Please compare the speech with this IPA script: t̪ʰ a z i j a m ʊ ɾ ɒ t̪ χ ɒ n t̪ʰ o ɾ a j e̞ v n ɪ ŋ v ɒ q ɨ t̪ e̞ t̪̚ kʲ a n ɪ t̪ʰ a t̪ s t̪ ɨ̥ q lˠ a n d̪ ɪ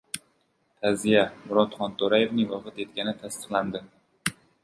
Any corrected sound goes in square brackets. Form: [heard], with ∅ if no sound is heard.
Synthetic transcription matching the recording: t̪ʰ a z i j a m ʊ ɾ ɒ t̪ χ ɒ n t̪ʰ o ɾ a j e̞ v n ɪ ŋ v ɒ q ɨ t̪ e̞ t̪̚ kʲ a n ɪ t̪ʰ a [∅] s t̪ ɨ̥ q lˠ a n d̪ ɪ